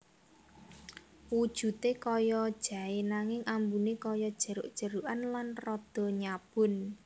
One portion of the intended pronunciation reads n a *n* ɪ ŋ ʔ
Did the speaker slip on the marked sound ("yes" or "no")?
yes